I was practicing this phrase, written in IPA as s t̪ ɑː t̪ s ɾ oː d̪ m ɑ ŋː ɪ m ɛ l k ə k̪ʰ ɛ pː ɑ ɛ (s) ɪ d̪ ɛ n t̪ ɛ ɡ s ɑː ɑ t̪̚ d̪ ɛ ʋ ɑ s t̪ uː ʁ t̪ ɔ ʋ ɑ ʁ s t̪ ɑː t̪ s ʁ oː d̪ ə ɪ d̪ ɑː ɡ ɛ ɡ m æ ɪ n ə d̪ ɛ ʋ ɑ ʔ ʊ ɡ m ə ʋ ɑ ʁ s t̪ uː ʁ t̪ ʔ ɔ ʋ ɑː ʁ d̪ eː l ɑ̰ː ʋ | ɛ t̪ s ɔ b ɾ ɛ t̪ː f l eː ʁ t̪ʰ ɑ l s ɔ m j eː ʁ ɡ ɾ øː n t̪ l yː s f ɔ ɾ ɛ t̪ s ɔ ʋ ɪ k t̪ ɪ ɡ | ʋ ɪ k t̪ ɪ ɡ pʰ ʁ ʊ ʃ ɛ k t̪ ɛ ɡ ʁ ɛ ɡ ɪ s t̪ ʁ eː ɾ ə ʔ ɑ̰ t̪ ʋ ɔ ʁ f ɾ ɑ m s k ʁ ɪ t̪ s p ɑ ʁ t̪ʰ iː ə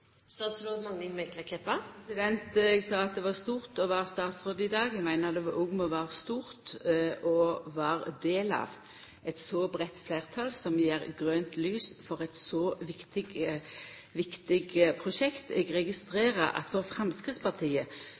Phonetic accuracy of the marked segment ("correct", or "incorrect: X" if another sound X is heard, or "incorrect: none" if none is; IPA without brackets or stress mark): correct